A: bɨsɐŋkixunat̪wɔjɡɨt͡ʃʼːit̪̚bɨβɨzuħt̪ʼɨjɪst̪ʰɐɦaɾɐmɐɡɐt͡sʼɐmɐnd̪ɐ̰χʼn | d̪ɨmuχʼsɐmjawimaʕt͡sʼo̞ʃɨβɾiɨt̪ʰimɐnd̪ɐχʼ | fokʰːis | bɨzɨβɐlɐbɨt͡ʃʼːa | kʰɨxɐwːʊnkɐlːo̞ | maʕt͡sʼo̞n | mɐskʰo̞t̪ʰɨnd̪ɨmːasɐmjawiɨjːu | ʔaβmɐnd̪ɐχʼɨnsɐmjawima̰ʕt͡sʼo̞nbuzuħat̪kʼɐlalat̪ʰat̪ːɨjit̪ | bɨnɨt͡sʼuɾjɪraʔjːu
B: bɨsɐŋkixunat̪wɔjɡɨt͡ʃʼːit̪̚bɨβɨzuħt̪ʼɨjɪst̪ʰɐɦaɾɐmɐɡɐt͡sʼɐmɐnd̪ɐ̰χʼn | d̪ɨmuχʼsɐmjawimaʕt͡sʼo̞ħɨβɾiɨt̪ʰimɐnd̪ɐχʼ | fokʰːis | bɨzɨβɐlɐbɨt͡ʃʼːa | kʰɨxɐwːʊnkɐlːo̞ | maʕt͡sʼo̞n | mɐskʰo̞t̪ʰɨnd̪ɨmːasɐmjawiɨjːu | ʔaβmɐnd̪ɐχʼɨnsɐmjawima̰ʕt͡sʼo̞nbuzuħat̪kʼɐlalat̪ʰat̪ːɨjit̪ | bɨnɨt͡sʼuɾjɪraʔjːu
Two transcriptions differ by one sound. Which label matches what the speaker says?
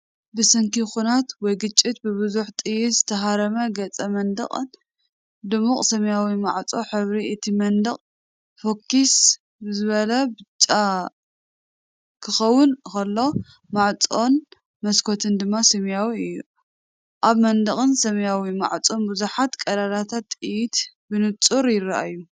B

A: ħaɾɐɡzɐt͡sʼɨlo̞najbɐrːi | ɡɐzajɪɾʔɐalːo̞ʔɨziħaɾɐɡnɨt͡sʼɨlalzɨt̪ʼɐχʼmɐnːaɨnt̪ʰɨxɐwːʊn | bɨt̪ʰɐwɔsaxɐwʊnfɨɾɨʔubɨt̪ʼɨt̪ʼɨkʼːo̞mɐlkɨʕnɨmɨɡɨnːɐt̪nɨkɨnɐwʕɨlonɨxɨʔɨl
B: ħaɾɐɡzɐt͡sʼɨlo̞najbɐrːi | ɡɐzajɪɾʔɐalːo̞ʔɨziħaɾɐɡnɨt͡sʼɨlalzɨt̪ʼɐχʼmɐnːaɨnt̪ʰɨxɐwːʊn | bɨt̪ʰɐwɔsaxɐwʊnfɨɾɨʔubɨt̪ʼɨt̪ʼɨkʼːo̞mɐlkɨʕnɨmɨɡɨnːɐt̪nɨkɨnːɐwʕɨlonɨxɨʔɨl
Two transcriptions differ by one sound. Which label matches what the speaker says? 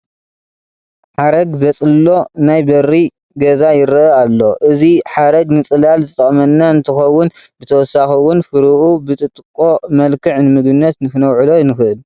A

